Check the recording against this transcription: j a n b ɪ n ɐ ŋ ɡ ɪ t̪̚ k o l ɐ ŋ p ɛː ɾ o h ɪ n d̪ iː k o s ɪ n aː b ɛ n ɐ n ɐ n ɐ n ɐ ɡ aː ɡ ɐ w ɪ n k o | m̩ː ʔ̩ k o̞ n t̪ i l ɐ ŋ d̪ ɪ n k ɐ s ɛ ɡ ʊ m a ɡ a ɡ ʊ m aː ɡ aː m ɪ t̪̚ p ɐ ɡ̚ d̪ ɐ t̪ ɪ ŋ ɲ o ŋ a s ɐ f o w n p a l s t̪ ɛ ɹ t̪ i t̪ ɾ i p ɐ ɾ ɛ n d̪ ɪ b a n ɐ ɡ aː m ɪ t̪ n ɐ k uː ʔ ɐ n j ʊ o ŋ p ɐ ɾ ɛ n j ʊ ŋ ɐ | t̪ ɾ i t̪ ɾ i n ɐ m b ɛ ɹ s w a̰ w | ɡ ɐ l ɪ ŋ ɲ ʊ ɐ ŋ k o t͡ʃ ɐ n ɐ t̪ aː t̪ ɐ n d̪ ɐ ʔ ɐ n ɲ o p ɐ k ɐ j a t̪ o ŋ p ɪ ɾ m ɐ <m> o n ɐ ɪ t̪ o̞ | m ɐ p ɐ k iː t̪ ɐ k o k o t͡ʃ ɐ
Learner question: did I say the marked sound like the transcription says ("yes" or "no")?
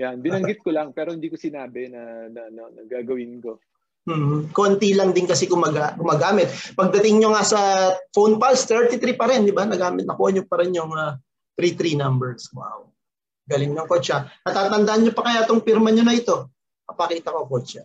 no